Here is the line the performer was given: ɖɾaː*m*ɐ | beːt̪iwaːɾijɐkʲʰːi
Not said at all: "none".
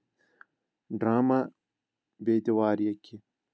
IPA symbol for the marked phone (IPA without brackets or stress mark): m